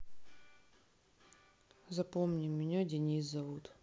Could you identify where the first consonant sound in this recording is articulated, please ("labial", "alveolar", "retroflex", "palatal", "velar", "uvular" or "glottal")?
alveolar